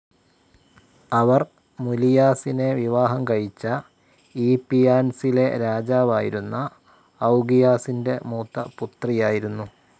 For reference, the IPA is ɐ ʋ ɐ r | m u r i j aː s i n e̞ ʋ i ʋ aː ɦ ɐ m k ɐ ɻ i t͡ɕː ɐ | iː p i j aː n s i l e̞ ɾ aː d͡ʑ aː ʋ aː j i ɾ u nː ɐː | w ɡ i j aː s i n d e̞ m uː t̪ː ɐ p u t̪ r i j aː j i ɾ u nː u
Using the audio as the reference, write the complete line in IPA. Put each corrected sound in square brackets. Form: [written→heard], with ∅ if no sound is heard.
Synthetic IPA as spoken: ɐ ʋ ɐ r | m u [r→l] i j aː s i n e̞ ʋ i ʋ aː ɦ ɐ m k ɐ ɻ i t͡ɕː ɐ | iː p i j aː n s i l e̞ ɾ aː d͡ʑ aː ʋ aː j i ɾ u nː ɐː | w ɡ i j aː s i n d e̞ m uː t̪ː ɐ p u t̪ r i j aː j i ɾ u nː u